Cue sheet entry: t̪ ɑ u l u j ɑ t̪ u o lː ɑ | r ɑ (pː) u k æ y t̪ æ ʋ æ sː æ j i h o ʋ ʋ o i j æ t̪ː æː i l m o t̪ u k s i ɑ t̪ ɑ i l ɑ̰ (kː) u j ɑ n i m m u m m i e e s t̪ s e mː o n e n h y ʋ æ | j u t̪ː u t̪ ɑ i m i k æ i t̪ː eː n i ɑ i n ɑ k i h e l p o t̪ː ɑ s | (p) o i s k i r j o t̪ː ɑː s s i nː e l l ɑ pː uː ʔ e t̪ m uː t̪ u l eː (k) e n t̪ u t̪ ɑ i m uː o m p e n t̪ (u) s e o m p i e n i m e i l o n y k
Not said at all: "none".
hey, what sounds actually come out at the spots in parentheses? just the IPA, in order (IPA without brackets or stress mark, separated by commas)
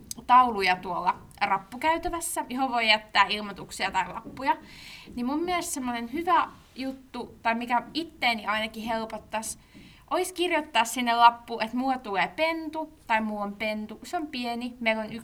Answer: pː, pː, ʔ, p, u